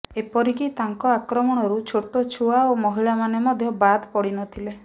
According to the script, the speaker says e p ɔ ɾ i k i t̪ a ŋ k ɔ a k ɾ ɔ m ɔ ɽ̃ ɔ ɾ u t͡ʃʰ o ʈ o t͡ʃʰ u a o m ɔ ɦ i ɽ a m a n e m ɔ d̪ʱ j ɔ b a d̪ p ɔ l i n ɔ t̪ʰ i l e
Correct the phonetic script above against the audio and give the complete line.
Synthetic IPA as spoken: e p ɔ ɾ i k i t̪ a ŋ k ɔ a k ɾ ɔ m ɔ ɽ̃ ɔ ɾ u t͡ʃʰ o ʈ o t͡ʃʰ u a o m ɔ ɦ i ɭ a m a n e m ɔ d̪ʱ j ɔ b a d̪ p ɔ ɽ i n ɔ t̪ʰ i l e